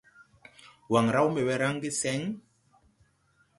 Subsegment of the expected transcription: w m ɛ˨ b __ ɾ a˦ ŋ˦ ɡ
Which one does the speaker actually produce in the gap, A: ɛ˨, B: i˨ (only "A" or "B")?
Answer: A